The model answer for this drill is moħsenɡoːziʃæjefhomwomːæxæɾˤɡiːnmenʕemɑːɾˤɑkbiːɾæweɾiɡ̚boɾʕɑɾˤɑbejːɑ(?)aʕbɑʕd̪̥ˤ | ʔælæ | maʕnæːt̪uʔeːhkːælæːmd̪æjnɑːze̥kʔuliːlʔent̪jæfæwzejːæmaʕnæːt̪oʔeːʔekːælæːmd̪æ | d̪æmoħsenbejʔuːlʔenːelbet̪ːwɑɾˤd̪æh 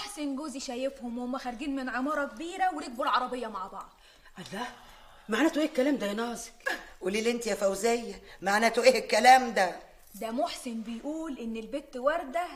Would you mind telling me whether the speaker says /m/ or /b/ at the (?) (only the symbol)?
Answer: m